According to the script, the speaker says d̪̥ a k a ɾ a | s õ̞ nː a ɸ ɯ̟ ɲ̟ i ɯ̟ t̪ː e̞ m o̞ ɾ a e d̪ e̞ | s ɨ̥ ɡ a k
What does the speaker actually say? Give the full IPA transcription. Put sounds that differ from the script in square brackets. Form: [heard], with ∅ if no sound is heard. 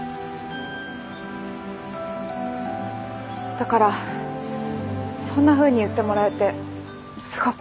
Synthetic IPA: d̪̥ a k a ɾ a | s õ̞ nː a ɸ [ɯ̟ː] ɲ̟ i ɯ̟ t̪ː e̞ m o̞ ɾ a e [t̪] e̞ | s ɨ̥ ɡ a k